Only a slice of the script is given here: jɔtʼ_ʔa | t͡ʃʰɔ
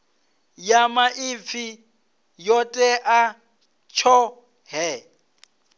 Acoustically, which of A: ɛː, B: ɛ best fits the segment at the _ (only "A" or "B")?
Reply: B